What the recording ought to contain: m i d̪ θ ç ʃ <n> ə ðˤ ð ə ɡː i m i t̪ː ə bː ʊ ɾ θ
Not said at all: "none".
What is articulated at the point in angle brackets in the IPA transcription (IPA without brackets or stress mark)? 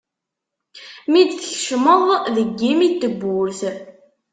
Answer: m